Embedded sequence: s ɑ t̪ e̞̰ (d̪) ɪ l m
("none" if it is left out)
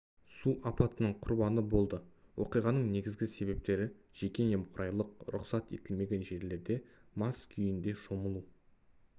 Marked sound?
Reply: t̪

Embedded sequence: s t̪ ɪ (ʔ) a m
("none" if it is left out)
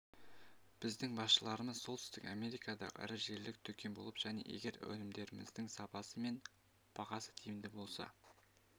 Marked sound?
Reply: k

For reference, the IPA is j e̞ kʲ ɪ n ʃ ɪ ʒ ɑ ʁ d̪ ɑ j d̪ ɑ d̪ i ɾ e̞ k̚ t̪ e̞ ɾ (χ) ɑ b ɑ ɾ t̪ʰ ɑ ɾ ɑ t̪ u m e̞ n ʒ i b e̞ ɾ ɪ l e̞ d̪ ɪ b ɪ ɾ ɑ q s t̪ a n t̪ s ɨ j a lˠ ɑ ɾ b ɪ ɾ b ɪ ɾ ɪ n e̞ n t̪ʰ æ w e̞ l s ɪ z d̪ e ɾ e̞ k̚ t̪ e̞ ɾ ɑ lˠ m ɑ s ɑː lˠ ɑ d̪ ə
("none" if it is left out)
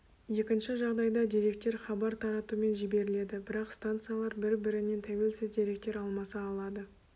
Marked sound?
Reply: χ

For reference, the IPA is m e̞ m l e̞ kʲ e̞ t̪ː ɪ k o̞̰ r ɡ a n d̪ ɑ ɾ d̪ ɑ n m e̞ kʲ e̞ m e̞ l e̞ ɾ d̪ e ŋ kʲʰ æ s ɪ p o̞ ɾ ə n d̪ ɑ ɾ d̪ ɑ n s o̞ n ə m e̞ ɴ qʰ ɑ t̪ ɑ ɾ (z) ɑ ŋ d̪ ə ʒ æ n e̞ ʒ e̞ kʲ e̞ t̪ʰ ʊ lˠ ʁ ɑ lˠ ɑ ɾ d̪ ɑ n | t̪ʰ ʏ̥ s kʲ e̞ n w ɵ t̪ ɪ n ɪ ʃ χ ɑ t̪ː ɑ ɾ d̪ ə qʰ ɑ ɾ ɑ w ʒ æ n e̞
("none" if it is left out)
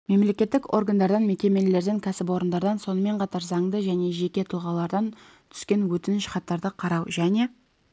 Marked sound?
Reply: z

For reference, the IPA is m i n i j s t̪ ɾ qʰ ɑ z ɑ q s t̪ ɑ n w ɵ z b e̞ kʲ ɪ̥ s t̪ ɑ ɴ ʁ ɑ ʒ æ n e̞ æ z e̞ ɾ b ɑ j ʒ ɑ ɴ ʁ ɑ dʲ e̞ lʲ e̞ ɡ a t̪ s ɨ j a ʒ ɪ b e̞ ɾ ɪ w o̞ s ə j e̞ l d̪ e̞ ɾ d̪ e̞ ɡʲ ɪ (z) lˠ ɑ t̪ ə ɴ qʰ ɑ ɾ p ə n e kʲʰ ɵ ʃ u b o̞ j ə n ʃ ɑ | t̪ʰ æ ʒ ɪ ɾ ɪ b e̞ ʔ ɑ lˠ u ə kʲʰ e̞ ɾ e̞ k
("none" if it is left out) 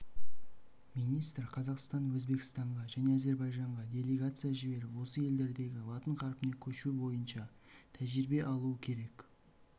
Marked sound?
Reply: none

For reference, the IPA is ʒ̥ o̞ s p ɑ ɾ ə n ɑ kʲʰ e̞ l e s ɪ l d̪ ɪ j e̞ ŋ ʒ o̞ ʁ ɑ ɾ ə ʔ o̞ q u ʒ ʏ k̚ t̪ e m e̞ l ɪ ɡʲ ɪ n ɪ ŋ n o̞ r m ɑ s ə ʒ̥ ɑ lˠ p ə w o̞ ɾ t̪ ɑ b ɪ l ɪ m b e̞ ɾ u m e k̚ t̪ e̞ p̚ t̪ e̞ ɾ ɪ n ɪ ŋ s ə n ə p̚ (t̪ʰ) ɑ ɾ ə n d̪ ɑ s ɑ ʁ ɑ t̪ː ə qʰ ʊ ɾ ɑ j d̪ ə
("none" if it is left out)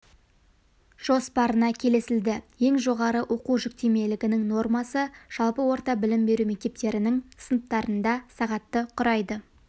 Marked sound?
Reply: t̪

